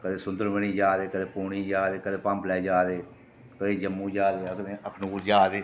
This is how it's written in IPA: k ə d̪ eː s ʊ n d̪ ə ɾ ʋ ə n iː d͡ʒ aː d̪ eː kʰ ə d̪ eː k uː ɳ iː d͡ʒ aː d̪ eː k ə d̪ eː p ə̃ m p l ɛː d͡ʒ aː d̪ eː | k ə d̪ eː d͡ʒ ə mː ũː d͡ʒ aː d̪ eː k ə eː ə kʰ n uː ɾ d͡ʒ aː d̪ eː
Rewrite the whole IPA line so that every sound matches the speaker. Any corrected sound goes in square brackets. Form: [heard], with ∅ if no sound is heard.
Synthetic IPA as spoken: k ə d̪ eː s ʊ n d̪ ə ɾ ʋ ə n iː d͡ʒ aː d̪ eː [k] ə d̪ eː [p] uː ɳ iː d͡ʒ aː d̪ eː k ə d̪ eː p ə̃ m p l ɛː d͡ʒ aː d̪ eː | k ə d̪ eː d͡ʒ ə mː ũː d͡ʒ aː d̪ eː k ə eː ə kʰ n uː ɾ d͡ʒ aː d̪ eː